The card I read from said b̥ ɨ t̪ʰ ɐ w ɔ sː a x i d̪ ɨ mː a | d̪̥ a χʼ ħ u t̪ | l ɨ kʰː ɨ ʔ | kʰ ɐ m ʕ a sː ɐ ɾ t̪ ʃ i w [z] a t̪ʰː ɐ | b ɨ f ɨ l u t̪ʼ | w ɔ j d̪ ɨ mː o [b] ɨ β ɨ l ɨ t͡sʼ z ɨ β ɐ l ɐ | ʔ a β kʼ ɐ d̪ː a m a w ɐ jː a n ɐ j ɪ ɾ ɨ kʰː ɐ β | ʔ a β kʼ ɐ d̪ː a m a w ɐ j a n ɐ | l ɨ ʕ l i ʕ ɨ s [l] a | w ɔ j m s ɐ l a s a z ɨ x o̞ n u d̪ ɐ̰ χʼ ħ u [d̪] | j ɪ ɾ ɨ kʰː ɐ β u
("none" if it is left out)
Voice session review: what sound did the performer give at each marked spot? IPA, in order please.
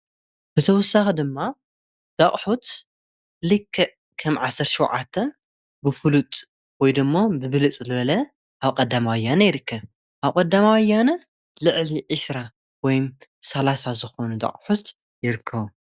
ʕ, b, ɾ, t̪

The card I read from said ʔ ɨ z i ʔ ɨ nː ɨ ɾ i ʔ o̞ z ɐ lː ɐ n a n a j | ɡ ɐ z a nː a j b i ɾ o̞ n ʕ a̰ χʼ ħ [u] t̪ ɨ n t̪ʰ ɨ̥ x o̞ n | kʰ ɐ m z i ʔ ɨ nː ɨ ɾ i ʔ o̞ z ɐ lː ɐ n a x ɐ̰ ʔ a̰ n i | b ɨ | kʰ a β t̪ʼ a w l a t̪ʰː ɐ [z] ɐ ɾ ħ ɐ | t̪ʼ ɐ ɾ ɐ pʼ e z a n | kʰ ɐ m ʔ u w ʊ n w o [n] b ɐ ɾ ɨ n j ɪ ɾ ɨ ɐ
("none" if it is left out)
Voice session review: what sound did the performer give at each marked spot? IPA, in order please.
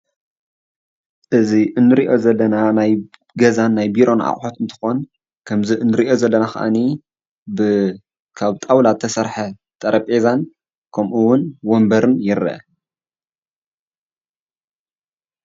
o, s, m

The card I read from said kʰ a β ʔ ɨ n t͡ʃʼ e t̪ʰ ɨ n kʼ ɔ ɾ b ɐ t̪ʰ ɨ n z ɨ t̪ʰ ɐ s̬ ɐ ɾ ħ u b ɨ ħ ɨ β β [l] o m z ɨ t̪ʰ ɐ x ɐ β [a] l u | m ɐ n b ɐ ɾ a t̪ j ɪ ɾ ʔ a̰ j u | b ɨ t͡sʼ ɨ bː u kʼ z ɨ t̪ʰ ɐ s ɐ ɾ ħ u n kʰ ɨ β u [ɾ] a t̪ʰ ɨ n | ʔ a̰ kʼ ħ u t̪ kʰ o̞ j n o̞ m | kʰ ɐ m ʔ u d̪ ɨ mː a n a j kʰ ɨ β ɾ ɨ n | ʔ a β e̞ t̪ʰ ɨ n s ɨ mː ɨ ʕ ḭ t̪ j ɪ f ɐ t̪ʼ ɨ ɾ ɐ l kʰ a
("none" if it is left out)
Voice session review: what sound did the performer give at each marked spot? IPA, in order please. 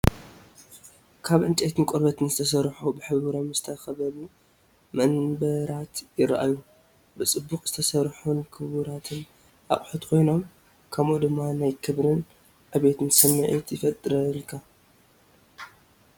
ɾ, ɐ, ɾ

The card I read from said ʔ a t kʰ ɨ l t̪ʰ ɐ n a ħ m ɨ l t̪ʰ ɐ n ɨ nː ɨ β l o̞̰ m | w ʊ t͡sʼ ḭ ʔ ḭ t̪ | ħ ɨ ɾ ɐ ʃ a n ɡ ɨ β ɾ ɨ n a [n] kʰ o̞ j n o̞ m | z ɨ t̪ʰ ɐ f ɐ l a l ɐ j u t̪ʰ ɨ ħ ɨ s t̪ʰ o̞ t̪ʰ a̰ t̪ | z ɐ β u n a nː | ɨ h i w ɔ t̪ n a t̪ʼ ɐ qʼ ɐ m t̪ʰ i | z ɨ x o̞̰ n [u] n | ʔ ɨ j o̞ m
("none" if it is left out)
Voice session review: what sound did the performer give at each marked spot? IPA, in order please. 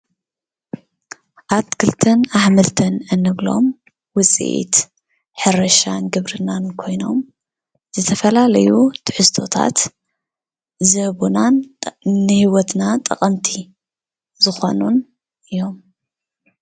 n, u

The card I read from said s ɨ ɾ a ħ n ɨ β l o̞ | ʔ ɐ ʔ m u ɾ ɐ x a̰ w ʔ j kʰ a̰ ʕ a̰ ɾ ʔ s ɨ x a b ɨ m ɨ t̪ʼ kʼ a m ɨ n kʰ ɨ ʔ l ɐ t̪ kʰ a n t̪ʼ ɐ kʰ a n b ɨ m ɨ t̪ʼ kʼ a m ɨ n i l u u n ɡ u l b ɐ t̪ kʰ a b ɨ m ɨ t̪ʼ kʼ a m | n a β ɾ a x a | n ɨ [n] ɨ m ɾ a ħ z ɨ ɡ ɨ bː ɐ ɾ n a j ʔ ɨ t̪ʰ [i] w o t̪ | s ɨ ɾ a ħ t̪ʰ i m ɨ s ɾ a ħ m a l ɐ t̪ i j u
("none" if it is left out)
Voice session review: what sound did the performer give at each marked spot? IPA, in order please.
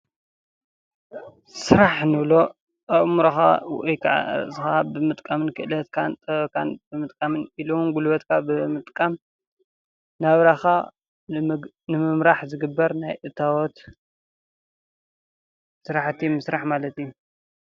m, a

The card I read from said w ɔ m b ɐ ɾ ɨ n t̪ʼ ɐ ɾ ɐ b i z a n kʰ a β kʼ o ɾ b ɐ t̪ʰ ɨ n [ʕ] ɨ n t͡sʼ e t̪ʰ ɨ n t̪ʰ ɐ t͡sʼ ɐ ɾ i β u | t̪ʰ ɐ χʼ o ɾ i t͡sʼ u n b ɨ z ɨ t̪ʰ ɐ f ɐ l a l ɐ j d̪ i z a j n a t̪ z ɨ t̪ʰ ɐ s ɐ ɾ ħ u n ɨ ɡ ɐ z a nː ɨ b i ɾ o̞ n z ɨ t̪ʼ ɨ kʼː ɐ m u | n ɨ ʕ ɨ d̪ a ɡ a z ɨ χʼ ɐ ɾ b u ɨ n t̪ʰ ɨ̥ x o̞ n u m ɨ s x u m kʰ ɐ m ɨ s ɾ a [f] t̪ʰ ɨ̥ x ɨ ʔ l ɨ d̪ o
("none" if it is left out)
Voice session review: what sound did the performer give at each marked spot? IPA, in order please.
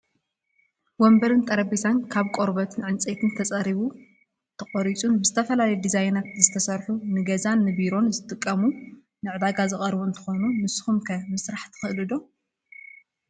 ʕ, ħ

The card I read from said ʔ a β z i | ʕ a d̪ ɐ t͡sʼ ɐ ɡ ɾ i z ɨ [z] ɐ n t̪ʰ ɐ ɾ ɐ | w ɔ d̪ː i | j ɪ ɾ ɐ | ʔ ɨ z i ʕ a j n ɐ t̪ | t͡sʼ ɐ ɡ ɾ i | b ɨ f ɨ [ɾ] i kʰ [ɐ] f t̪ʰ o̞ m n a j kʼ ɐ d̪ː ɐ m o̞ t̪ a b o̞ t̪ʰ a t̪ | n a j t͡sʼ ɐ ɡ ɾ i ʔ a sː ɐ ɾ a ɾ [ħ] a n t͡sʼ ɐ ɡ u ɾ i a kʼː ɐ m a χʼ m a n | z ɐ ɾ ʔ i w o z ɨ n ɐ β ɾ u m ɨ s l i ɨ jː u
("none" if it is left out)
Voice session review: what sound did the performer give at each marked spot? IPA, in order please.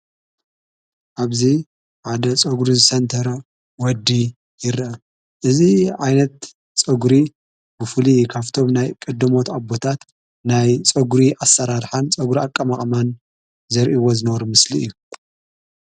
s, l, a, ħ

